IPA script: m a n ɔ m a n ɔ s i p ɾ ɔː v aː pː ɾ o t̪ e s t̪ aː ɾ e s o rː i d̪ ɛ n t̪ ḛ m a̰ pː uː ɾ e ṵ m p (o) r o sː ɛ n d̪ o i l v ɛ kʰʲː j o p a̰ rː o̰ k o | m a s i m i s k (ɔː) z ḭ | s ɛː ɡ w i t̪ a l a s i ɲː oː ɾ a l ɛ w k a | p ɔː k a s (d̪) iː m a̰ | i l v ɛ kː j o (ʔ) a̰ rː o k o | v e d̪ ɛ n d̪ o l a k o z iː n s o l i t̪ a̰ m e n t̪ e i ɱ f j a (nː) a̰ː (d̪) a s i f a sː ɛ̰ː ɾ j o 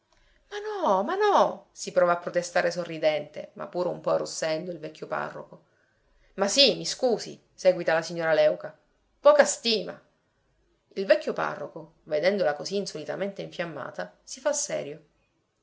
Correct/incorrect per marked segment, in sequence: incorrect: ɔ, incorrect: uː, incorrect: t̪, incorrect: p, incorrect: mː, incorrect: t̪

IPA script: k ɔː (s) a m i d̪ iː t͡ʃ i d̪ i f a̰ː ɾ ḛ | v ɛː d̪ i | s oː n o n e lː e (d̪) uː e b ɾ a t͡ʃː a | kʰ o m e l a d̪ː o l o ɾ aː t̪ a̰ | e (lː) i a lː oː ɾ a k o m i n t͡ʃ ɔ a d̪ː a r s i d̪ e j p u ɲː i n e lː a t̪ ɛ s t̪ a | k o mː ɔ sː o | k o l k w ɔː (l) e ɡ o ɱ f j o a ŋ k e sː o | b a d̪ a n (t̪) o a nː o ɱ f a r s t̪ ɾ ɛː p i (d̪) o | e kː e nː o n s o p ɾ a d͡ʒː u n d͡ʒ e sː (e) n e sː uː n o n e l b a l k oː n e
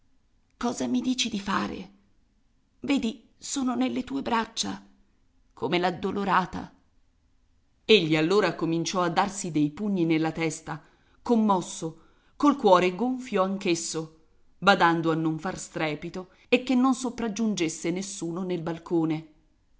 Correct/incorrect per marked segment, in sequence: incorrect: z, incorrect: t̪, incorrect: ʎː, incorrect: ɾ, incorrect: d̪, incorrect: t̪, correct

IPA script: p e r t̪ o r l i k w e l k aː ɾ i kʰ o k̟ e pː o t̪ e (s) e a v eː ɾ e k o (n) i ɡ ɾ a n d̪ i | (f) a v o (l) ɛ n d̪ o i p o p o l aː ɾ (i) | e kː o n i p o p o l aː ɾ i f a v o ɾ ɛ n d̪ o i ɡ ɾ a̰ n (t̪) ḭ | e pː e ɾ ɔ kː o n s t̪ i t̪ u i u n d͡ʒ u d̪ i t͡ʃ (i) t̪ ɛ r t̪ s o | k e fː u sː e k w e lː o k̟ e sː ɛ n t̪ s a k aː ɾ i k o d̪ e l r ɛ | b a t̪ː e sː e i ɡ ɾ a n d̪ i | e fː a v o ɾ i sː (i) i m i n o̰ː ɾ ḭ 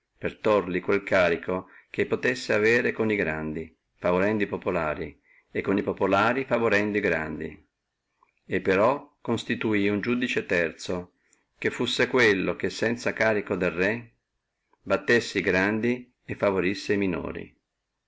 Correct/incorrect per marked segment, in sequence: incorrect: sː, correct, correct, incorrect: ɾ, correct, incorrect: d̪, incorrect: e, incorrect: e

